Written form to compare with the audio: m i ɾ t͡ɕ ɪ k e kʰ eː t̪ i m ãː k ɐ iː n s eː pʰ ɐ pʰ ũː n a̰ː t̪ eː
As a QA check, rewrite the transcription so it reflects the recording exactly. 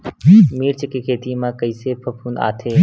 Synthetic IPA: m iː ɾ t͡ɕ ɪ k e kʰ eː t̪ i m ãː k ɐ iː s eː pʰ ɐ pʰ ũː n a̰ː t̪ʰ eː